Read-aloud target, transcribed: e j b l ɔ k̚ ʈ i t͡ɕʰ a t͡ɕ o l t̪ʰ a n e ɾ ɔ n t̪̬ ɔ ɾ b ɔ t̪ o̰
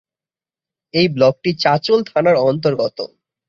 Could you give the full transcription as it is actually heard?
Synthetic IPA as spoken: e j b l ɔ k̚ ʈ i t͡ɕ a t͡ɕ o l t̪ʰ a n a ɾ ɔ n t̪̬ o ɾ ɡ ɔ t̪ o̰